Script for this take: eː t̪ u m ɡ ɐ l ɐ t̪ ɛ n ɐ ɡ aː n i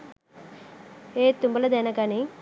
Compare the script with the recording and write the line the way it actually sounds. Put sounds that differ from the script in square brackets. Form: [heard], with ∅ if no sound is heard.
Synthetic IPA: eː t̪ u m [b] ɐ l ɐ [d̪] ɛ n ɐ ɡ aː n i